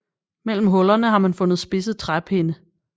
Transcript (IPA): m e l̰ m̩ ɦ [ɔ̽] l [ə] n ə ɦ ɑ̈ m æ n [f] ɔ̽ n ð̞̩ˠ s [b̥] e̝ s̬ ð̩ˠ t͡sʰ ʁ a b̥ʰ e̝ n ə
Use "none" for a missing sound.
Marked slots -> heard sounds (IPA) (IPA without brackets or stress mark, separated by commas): ɔ̽, ɐ, f, b̥